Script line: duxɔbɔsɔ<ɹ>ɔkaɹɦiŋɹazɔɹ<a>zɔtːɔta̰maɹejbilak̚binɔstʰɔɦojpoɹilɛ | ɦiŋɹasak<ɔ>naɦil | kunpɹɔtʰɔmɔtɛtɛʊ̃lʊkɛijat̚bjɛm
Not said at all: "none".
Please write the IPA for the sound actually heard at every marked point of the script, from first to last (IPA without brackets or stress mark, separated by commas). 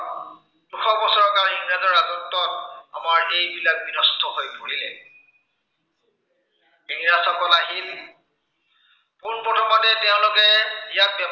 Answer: ɹ, a, ɔ